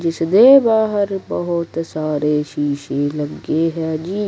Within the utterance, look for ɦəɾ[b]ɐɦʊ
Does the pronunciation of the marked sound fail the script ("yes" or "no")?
no